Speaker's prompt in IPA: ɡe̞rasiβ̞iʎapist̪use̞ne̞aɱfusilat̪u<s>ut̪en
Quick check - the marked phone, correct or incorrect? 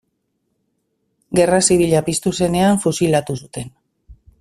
correct